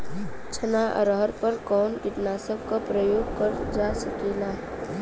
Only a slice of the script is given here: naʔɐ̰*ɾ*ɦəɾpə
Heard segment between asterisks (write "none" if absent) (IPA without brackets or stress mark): ɾ